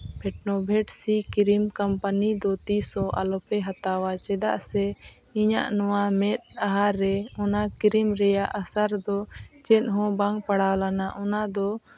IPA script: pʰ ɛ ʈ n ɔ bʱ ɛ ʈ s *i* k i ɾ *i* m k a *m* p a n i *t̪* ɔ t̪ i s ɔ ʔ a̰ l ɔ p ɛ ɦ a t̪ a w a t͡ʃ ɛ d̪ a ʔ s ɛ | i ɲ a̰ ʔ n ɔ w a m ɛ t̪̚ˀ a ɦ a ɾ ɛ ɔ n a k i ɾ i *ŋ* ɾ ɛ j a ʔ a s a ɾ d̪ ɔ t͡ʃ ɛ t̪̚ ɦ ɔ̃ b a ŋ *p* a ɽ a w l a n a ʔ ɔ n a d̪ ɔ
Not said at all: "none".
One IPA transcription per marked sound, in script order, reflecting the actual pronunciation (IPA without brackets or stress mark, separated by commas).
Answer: i, i, m, d̪, m, p